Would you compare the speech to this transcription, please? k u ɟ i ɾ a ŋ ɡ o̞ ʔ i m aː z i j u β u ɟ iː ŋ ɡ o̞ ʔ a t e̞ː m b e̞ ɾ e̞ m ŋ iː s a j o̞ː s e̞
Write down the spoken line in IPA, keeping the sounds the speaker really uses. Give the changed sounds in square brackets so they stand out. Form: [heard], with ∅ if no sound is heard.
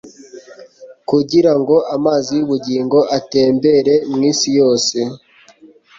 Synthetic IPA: k u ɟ i ɾ a ŋ ɡ o̞ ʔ [a] m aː z i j u β u ɟ iː ŋ ɡ o̞ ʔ a t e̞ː m b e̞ ɾ e̞ m ŋ iː s [i] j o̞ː s e̞